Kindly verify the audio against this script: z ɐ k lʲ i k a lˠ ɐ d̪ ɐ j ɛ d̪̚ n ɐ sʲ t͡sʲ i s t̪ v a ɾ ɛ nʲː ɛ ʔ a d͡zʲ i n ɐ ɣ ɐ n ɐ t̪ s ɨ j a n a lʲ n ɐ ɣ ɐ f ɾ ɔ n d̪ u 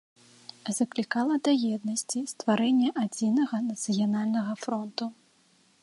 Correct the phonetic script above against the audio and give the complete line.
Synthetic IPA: z ɐ k lʲ i k a lˠ ɐ d̪ ɐ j ɛ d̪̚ n ɐ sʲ t͡sʲ i s t̪ v a ɾ ɛ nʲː ɛ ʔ a d͡zʲ i n ɐ ɣ ɐ n ɐ t̪ s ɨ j a n a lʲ n ɐ ɣ ɐ f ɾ ɔ n t̪ u